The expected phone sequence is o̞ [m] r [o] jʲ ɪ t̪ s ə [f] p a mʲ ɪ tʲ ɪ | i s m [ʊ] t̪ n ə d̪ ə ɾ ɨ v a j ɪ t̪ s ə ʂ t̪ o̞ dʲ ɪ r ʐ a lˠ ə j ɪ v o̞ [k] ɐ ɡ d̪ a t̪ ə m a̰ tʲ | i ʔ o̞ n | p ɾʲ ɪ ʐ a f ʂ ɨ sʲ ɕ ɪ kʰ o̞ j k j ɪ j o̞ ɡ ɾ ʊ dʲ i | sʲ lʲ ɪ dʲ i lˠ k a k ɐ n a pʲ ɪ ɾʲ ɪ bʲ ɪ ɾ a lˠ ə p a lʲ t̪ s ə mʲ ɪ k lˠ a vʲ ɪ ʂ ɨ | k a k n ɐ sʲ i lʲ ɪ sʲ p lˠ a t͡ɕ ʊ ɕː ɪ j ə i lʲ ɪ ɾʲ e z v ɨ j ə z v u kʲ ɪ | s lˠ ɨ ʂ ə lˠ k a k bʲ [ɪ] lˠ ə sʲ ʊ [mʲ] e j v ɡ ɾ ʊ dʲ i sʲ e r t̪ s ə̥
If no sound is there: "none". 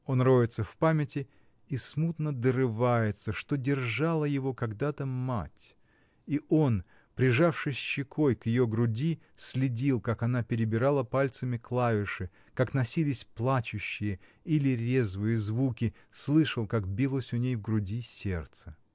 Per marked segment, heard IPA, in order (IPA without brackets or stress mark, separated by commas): n, o, f, u, k, i, nʲ